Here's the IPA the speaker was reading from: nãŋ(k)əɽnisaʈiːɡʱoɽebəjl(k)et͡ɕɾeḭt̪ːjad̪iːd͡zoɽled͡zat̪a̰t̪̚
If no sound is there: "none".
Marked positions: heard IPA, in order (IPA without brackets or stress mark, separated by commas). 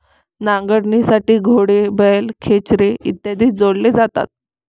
ɡ, kʰ